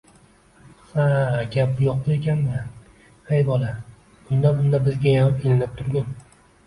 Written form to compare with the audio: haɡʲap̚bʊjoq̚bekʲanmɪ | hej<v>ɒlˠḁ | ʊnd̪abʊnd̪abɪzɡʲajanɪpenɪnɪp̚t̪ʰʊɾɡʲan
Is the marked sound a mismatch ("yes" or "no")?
yes